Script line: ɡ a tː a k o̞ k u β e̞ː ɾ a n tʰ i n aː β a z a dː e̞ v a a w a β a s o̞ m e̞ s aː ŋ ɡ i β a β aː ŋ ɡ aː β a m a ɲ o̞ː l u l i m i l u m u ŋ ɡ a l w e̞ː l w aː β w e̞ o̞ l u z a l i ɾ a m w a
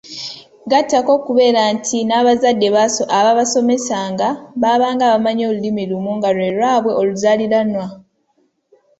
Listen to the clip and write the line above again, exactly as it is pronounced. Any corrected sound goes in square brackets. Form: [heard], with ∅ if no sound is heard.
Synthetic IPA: ɡ a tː a k o̞ k u β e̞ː ɾ a n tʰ i n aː β a z a dː e̞ [β] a a [β] a β a s o̞ m e̞ s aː ŋ ɡ [a] β a β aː ŋ ɡ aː β a m a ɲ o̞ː l u l i m i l u m u ŋ ɡ a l w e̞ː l w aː β w e̞ o̞ l u z a l i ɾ a [n] w a